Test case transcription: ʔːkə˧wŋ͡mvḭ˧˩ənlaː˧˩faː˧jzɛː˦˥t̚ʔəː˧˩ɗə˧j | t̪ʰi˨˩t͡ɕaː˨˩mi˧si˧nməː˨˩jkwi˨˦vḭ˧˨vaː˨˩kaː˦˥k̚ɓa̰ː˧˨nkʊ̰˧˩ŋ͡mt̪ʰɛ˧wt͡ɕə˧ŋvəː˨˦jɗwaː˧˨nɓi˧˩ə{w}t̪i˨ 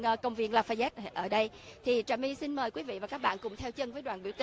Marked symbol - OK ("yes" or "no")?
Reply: yes